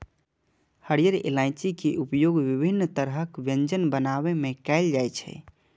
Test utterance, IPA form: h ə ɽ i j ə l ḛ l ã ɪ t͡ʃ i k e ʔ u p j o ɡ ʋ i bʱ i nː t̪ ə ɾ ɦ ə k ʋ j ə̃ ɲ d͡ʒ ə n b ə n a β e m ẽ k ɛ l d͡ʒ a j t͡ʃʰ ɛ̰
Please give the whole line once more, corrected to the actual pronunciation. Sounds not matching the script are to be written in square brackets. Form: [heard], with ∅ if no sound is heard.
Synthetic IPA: h ə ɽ i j ə [ɾ] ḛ l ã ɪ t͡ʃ i k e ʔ u p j o ɡ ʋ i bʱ i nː t̪ ə ɾ ɦ ə k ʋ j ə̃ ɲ d͡ʒ ə n b ə n a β e m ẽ k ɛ l d͡ʒ a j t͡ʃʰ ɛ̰